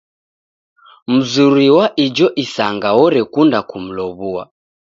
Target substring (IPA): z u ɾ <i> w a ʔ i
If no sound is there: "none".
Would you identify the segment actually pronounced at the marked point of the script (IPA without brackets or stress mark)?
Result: i